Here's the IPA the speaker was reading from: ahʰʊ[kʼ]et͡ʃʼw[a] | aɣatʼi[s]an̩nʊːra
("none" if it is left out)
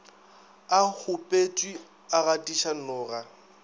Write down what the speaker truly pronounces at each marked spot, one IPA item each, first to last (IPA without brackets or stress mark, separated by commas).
pʼ, i, ʃ